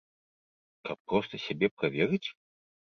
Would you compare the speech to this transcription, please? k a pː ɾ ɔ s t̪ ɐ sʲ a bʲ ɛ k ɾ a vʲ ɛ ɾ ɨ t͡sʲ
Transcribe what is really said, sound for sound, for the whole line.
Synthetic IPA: k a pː ɾ ɔ s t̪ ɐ sʲ a bʲ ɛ p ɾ a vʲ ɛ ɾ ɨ t͡sʲ